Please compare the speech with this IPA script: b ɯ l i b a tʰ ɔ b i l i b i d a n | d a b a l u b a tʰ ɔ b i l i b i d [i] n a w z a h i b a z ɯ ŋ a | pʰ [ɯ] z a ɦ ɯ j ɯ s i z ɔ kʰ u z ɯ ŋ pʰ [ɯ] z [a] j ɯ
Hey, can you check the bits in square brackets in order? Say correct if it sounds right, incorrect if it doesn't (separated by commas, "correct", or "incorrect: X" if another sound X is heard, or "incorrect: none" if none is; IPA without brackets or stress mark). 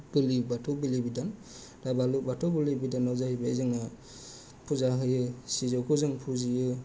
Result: incorrect: a, incorrect: u, incorrect: u, incorrect: i